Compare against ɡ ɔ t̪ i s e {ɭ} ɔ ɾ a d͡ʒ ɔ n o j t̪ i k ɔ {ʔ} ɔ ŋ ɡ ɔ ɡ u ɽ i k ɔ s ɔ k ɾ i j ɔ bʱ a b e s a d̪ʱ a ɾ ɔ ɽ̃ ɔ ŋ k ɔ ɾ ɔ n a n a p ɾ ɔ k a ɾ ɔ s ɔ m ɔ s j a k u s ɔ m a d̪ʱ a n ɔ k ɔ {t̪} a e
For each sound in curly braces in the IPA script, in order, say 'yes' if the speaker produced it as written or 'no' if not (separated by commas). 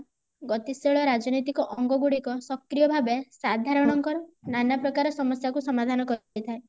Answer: yes, yes, no